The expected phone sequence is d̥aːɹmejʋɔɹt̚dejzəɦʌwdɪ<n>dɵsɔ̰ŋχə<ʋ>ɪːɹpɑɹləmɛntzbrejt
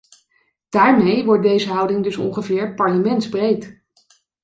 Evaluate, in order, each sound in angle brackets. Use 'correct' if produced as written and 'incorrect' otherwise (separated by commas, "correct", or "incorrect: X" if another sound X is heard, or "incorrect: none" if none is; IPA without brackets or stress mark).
incorrect: ŋ, incorrect: v